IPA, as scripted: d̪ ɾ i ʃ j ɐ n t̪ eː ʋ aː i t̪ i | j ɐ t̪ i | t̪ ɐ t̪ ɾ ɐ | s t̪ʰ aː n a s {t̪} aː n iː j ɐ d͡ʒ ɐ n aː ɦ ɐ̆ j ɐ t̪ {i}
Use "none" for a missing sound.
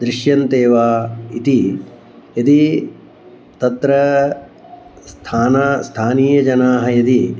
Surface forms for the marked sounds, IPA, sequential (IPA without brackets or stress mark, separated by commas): t̪ʰ, i